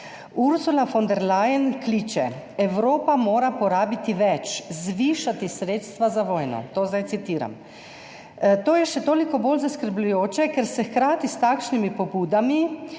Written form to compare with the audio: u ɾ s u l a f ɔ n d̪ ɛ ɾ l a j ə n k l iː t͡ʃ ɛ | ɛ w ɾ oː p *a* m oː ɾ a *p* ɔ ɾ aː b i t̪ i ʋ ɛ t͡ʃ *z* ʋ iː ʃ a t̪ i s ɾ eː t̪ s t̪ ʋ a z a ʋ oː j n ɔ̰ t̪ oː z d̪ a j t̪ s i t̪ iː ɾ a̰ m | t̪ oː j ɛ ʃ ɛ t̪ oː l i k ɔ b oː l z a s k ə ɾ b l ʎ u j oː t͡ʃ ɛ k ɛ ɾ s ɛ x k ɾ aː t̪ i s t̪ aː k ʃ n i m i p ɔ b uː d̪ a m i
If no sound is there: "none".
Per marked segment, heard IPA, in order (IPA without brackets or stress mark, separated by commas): a, p, z